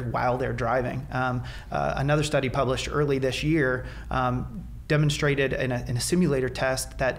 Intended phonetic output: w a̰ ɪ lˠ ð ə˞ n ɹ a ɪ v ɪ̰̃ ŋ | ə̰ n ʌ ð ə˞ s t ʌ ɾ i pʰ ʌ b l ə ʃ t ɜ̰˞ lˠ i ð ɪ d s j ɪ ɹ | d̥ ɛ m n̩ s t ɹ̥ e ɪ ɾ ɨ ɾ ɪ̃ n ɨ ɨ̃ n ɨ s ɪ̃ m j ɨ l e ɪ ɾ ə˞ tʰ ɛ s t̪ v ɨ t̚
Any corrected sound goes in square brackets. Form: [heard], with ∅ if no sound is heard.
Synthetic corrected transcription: w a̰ ɪ lˠ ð ə˞ [d] ɹ a ɪ v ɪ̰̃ ŋ | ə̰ n ʌ ð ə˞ s t ʌ ɾ i pʰ ʌ b l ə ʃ t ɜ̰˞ lˠ i ð ɪ [∅] s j ɪ ɹ | d̥ ɛ m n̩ s t ɹ̥ e ɪ ɾ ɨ ɾ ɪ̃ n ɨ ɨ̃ n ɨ s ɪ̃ m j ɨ l e ɪ ɾ ə˞ tʰ ɛ s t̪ [ð] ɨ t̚